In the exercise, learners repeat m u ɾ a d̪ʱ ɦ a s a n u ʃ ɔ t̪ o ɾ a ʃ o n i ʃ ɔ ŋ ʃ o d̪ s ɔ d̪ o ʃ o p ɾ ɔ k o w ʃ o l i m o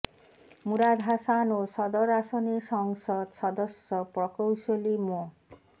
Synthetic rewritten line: m u ɾ a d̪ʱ ɦ a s a n o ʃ ɔ d̪ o ɾ a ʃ o n i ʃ ɔ ŋ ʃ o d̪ ʃ ɔ d̪ o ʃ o p ɾ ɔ k o w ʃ o l i m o